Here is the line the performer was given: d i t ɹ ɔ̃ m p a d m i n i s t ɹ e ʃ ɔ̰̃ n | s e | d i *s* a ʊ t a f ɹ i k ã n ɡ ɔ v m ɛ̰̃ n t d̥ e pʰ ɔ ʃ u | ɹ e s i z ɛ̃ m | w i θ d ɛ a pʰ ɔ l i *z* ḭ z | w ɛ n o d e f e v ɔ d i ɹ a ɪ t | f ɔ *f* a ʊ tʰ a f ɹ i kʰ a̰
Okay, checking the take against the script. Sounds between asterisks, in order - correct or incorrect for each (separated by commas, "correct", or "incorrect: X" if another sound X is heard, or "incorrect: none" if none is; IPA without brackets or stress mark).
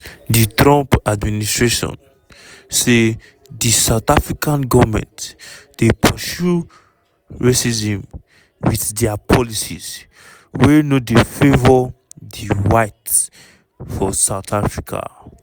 correct, incorrect: s, incorrect: s